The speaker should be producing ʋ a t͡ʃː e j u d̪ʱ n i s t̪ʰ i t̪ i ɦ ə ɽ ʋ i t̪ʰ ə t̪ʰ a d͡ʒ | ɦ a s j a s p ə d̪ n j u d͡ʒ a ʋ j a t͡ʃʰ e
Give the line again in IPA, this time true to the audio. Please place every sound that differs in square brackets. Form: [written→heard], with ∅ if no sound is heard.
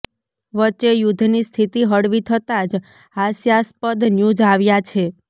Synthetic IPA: ʋ [a→ə] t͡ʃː e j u d̪ʱ n i s t̪ʰ i t̪ i ɦ ə ɽ ʋ i t̪ʰ ə [t̪ʰ→t̪] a d͡ʒ | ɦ a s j a s p ə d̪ n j u d͡ʒ a ʋ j a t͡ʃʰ e